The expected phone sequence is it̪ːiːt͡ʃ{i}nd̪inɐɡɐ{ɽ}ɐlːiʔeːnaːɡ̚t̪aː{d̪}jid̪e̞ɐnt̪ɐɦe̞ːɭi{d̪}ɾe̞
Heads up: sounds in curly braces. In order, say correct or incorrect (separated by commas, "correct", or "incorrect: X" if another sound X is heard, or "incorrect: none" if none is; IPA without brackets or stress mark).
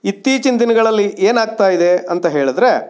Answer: correct, incorrect: ɭ, incorrect: none, correct